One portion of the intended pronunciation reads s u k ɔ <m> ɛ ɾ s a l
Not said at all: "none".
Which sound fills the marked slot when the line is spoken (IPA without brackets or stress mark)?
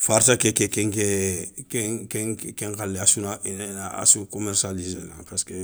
m